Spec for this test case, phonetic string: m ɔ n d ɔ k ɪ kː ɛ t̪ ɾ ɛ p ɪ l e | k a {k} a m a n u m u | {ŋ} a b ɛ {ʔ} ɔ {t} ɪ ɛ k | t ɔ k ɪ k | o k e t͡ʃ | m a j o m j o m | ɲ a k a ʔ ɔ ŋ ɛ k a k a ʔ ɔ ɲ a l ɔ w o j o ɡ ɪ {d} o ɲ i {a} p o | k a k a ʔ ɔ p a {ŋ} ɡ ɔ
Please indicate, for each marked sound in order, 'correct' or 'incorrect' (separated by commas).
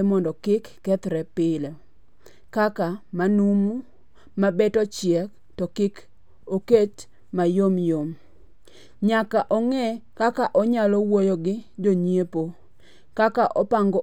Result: correct, incorrect, incorrect, incorrect, incorrect, incorrect, correct